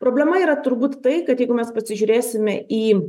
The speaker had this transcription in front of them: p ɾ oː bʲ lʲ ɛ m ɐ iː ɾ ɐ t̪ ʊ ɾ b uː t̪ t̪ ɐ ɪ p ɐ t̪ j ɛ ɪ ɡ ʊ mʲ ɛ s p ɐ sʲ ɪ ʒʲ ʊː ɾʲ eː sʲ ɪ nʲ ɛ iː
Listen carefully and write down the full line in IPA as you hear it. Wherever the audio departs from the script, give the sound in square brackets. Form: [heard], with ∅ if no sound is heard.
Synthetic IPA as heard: p ɾ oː bʲ lʲ ɛ m ɐ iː ɾ ɐ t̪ ʊ ɾ b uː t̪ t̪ ɐ ɪ [k] ɐ t̪ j ɛ ɪ ɡ ʊ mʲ ɛ s p ɐ sʲ ɪ ʒʲ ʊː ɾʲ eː sʲ ɪ [mʲ] ɛ iː